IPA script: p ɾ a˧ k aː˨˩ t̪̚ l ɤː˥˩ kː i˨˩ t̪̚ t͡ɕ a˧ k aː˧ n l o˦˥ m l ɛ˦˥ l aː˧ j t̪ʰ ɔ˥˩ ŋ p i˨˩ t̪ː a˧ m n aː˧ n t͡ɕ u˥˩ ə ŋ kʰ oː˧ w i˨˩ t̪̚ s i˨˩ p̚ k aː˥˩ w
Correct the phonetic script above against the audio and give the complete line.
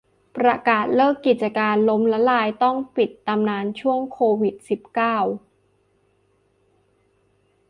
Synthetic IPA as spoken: p ɾ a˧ k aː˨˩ t̪̚ l ɤː˥˩ kː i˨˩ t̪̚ t͡ɕ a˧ k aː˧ n l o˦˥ m l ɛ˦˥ l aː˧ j t̪ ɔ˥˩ ŋ p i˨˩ t̪ː a˧ m n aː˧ n t͡ɕʰ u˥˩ ə ŋ kʰ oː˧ w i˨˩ t̪̚ s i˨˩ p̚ k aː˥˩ w